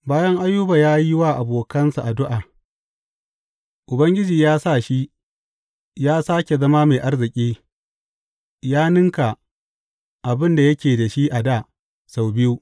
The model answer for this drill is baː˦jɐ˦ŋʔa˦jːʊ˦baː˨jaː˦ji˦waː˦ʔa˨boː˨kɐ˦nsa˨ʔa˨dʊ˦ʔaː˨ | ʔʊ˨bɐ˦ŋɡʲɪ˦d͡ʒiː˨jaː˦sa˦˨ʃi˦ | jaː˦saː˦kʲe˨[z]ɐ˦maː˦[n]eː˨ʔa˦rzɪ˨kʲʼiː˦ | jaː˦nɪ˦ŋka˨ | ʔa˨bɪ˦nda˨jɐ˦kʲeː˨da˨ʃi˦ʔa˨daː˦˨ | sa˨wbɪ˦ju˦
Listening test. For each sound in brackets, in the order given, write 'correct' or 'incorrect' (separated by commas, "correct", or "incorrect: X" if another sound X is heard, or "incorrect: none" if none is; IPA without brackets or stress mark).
correct, incorrect: m